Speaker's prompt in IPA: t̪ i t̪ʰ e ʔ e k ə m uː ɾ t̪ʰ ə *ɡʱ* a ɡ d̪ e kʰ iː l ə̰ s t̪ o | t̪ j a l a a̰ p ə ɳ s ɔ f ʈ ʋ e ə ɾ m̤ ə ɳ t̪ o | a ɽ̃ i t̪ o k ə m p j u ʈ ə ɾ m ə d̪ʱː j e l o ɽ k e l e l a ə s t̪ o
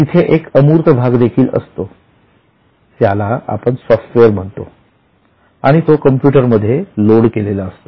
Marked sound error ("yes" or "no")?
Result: yes